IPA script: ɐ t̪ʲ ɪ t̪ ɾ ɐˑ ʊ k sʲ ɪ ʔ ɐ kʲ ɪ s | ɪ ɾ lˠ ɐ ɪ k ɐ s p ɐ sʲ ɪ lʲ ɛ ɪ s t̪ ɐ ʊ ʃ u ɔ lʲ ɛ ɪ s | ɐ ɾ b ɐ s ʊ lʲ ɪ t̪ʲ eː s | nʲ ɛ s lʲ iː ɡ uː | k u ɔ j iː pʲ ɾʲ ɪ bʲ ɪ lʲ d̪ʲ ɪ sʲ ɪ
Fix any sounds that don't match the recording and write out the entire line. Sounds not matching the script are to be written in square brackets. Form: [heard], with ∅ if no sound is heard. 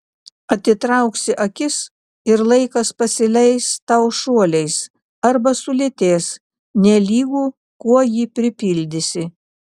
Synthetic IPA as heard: ɐ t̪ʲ ɪ t̪ ɾ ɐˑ ʊ k sʲ ɪ ʔ ɐ kʲ ɪ s | ɪ ɾ lˠ ɐ ɪ k ɐ s p ɐ sʲ ɪ lʲ ɛ ɪ s t̪ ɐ ʊ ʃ u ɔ lʲ ɛ ɪ s | ɐ ɾ b ɐ s ʊ lʲ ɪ t̪ʲ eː s | nʲ ɛ [∅] lʲ iː ɡ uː | k u ɔ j iː pʲ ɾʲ ɪ [pʲ] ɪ lʲ d̪ʲ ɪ sʲ ɪ